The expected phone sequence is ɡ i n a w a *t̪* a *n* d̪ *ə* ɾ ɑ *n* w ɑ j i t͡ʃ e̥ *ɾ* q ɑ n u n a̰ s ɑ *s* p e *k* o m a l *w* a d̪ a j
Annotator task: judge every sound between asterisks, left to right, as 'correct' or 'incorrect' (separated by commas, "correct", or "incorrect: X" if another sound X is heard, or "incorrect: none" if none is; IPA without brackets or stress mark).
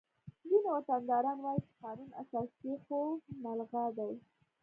correct, correct, incorrect: ɑ, correct, incorrect: none, correct, incorrect: x, incorrect: ɣ